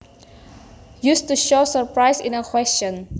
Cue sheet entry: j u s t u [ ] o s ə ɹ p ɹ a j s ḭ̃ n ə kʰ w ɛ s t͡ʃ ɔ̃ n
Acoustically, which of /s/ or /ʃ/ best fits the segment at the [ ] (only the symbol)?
ʃ